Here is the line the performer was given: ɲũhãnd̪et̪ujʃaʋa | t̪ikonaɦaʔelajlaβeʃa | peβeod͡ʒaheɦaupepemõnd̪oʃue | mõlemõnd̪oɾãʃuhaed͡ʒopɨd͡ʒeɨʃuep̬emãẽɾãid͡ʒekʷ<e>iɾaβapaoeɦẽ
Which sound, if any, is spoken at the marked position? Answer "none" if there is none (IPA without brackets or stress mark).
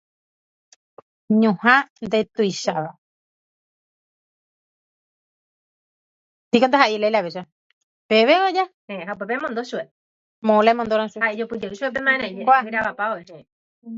a